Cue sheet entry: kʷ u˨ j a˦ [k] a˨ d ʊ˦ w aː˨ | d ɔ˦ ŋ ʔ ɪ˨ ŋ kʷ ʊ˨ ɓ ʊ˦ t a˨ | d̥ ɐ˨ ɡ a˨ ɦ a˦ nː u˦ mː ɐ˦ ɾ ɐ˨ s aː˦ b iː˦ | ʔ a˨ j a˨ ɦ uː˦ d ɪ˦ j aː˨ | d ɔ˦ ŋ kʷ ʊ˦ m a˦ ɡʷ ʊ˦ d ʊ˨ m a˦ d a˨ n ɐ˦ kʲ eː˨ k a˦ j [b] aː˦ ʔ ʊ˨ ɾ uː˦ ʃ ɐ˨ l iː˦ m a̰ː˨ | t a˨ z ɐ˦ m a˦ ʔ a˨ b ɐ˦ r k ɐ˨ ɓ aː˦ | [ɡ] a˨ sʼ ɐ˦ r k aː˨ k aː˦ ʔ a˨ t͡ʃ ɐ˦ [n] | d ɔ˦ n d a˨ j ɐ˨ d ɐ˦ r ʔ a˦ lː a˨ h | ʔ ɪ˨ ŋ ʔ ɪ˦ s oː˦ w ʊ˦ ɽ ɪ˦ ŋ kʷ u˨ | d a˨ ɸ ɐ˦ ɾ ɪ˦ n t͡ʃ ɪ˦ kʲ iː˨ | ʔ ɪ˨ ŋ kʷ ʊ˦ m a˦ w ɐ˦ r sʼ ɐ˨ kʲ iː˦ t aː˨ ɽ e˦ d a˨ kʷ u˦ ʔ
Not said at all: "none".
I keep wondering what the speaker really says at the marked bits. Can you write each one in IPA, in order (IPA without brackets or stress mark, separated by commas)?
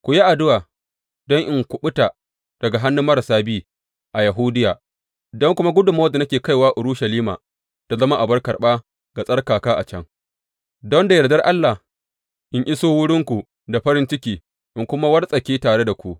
ʔ, w, ɡ, ŋ